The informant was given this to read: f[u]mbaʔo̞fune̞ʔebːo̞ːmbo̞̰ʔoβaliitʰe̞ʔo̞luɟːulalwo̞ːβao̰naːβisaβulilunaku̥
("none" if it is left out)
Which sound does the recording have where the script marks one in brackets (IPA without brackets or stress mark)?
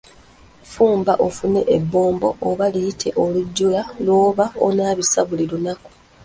uː